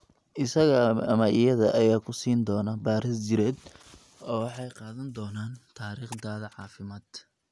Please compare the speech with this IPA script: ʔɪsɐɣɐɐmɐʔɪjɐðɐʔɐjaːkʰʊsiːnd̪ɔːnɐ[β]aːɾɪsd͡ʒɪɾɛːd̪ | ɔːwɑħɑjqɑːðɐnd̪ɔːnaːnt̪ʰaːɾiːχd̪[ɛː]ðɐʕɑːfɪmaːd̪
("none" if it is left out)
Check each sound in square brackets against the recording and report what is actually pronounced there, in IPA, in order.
b, aː

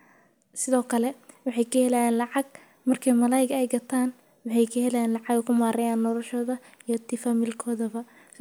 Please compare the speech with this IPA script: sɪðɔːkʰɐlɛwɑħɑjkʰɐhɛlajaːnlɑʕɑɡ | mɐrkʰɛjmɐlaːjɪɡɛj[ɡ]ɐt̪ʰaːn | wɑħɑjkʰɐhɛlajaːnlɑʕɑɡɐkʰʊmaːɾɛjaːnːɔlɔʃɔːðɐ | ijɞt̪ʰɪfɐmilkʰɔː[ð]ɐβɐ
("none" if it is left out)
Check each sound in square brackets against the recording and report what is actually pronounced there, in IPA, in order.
ɡ, ð

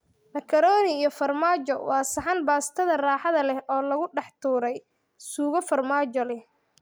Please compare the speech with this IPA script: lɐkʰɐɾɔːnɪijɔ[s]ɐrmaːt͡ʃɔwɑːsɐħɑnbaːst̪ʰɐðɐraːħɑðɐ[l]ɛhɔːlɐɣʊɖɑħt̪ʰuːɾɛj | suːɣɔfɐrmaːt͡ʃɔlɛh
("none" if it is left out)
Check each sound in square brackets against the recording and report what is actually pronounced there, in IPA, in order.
f, l

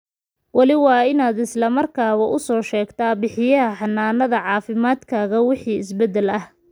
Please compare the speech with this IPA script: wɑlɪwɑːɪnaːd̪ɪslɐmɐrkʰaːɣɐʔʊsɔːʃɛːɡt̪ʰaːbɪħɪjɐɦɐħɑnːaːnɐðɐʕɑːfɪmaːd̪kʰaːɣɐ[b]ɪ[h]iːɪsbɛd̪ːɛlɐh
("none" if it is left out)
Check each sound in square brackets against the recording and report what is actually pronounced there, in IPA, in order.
w, ħ

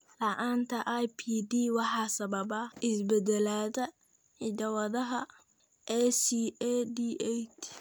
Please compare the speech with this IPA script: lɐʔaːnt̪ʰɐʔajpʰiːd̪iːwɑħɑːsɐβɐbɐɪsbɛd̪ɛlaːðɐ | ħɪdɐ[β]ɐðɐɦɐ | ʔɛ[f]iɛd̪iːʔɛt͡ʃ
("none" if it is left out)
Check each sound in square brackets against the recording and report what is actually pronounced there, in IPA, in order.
w, s

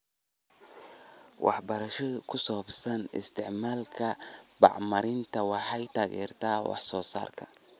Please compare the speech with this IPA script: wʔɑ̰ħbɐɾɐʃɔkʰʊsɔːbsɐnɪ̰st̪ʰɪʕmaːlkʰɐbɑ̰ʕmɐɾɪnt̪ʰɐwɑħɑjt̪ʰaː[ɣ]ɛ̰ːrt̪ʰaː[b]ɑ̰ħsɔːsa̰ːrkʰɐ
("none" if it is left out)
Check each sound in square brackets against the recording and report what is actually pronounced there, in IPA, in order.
ɣ, w

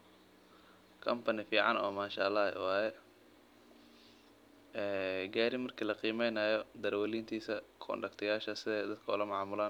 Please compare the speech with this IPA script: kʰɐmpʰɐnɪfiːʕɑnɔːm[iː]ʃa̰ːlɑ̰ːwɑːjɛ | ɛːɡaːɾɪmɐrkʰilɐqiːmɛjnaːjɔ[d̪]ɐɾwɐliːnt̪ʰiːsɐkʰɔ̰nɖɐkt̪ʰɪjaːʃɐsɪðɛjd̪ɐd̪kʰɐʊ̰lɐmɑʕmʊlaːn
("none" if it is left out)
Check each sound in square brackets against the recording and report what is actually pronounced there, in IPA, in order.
aː, d̪

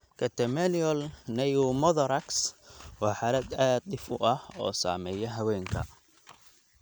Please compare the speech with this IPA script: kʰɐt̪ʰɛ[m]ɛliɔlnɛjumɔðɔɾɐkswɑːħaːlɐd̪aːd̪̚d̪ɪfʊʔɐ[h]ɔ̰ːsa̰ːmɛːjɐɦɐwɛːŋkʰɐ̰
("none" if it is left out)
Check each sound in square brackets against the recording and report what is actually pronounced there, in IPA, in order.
m, h

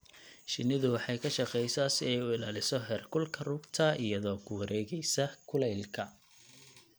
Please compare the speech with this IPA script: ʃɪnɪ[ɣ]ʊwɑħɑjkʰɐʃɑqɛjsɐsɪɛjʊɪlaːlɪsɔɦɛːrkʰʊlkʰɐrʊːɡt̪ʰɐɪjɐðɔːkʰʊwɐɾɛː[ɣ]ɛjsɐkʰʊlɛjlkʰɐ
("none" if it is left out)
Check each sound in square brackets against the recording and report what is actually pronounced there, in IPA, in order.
ð, ɣ

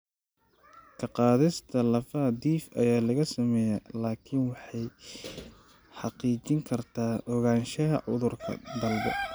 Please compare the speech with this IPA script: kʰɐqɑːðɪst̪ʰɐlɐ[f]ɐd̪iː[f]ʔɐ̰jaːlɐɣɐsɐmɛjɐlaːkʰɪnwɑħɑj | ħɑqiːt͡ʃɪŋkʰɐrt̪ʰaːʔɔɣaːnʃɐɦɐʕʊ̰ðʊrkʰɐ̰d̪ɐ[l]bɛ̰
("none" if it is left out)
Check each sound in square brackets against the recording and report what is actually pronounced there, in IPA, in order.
f, f, l

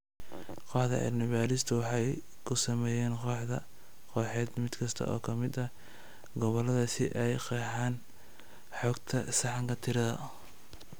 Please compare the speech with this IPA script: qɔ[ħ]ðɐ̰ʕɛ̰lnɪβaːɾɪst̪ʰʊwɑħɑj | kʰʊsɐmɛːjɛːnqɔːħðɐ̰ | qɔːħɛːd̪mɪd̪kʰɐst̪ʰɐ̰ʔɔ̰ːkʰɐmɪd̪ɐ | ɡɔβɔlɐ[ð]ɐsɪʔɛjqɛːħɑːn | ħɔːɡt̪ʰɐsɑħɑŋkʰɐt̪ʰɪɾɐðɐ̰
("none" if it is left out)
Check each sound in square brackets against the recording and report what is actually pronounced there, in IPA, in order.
ħ, ð

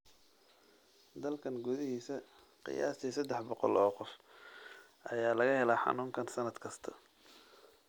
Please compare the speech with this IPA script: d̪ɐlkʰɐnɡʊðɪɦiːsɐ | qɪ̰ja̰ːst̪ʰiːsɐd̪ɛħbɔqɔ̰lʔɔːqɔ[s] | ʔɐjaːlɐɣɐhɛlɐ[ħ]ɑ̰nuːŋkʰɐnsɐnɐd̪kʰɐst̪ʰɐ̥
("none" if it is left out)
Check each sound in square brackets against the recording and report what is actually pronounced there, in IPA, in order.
f, ħ

